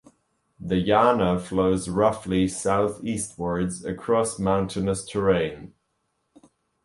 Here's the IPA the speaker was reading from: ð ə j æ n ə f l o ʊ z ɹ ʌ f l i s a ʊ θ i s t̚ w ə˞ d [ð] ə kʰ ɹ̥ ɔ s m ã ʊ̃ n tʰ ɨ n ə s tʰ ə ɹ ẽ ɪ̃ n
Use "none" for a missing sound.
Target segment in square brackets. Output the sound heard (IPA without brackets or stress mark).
z